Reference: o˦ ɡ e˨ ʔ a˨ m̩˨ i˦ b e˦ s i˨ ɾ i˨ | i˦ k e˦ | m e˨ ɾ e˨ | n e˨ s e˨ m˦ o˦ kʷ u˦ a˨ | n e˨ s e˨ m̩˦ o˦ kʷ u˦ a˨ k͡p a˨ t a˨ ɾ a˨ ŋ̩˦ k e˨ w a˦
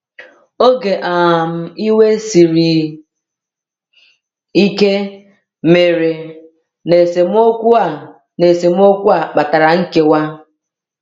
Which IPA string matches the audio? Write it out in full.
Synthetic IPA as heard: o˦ ɡ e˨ ʔ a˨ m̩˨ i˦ w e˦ s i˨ ɾ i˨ | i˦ k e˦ | m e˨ ɾ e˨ | n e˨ s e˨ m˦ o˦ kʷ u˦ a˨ | n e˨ s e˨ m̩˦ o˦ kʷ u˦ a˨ k͡p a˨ t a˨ ɾ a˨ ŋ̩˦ k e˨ w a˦